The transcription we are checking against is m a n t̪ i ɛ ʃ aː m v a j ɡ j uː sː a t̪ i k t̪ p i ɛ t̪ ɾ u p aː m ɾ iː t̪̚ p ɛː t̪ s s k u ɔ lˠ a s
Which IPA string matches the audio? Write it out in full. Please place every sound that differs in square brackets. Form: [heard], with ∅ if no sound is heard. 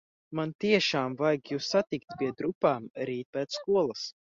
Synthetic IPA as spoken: m a n t̪ i ɛ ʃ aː m v a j ɡ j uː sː a t̪ i k t̪ p i ɛ [d̪] ɾ u p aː m ɾ iː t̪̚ p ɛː t̪ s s k u ɔ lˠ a s